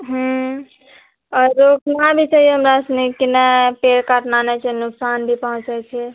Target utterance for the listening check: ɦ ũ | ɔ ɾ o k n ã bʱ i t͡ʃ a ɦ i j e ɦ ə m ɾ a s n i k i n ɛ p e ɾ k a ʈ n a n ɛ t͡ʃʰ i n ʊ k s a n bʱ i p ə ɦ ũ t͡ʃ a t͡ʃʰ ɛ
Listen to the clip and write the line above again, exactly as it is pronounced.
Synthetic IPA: ɦ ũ | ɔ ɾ o k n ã bʱ i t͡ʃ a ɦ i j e ɦ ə m ɾ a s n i k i n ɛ p e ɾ k a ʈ n a n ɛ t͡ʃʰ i n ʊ k s a n bʱ i p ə ɦ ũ t͡ʃ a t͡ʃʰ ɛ